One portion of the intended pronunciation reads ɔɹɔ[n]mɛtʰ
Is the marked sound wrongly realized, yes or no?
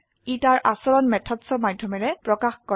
no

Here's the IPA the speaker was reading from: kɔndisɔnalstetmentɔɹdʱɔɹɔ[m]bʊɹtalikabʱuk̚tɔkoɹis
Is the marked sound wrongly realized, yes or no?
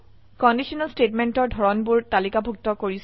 yes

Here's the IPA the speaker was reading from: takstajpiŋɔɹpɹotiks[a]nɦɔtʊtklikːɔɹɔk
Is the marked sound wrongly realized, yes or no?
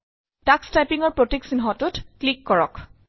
yes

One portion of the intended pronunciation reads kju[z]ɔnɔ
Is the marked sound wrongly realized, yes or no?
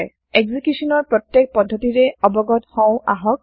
yes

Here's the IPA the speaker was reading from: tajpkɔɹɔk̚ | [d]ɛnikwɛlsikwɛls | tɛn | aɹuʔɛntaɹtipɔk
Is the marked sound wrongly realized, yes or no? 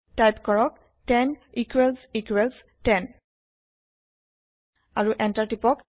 yes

